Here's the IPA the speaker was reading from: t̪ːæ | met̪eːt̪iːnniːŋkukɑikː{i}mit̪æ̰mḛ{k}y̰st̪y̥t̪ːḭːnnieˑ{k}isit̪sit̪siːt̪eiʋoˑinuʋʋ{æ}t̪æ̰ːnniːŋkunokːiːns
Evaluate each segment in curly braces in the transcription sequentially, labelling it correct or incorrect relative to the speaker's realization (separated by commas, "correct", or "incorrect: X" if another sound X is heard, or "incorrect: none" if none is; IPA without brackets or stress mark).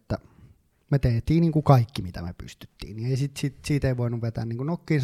correct, incorrect: p, incorrect: none, incorrect: e